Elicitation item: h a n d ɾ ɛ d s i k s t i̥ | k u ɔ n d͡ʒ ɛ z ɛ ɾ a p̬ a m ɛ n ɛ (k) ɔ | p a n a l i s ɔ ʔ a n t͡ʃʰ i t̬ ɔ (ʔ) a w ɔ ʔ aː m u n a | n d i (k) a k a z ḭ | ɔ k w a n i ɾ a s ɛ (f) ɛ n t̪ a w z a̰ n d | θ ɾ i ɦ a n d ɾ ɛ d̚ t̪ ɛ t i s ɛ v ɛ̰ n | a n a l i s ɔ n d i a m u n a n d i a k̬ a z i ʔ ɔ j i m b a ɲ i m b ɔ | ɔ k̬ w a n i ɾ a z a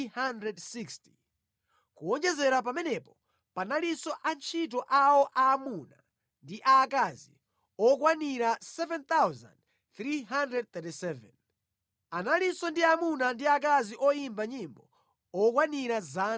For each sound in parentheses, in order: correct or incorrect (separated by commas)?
incorrect, correct, incorrect, incorrect